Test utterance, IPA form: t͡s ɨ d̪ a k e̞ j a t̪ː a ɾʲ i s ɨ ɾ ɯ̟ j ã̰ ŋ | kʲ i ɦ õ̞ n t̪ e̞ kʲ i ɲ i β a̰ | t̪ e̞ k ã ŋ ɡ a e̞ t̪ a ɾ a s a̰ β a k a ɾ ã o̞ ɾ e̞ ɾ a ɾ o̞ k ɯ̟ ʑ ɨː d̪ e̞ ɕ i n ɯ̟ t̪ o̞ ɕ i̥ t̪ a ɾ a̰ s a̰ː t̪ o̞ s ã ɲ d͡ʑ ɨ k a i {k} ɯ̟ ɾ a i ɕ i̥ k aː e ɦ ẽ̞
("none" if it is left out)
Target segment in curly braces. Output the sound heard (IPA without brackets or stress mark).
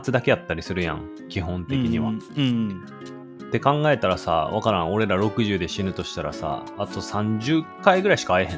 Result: ɡ